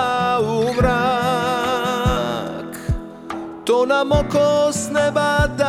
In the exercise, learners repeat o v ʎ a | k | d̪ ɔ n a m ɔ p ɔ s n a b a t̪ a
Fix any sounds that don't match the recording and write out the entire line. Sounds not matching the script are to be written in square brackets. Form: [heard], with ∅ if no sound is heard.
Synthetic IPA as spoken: [u] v [ɾ] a | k | [t̪] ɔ n a m ɔ [k] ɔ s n [ɛ] b a [d̪] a